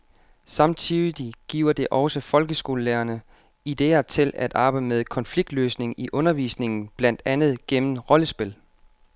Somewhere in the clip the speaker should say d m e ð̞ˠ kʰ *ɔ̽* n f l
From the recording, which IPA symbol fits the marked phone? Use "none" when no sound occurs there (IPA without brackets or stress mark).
ɒ̽